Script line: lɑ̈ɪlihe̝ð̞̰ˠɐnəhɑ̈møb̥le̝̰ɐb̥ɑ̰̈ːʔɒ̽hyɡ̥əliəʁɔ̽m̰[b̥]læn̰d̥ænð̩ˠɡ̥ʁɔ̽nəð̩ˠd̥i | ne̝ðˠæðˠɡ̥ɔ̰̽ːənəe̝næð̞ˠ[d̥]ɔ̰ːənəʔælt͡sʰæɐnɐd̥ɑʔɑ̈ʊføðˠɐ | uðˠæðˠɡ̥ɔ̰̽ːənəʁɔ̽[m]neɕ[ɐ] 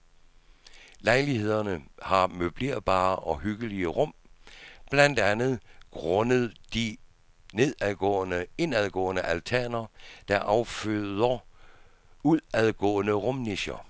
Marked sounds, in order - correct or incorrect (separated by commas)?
correct, incorrect, correct, correct